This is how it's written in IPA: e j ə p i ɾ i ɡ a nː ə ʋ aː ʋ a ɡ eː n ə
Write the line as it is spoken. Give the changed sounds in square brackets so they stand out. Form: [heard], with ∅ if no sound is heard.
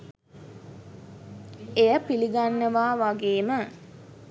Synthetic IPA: e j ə p i [l] i ɡ a nː ə ʋ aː ʋ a ɡ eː [m] ə